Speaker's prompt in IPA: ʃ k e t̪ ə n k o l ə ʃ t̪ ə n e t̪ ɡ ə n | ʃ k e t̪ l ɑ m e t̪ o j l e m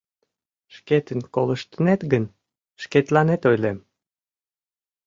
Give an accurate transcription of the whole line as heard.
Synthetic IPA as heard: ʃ k e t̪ ə n k o l ə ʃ t̪ ə n e t̪ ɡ ə n | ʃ k e t̪ l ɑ n e t̪ o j l e m